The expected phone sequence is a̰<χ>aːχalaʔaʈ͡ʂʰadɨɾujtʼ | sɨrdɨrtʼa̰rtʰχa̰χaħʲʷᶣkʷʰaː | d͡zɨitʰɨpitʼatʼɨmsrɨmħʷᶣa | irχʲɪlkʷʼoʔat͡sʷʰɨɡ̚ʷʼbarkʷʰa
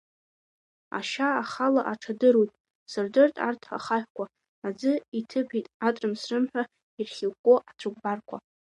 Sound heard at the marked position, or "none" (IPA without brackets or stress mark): ʃ